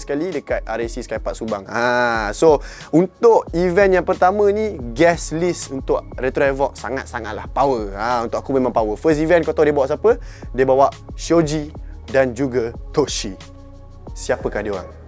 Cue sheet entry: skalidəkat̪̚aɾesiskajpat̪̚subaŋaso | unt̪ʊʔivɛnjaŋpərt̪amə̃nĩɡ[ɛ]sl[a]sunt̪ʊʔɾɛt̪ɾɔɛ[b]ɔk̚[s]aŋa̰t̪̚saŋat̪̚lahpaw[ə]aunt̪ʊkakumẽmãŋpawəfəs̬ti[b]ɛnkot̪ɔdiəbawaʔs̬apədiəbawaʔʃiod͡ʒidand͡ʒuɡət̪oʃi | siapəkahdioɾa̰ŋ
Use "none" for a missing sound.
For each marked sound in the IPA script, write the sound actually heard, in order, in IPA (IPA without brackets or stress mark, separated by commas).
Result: ɛ, i, v, s, ə, v